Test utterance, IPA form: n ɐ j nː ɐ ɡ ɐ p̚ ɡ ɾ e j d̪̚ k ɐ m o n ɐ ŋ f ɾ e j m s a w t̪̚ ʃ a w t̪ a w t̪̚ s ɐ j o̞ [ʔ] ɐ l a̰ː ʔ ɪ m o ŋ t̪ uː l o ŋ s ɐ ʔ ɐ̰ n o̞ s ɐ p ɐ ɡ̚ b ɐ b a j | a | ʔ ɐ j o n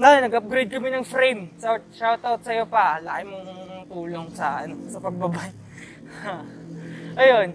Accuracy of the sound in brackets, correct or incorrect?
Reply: incorrect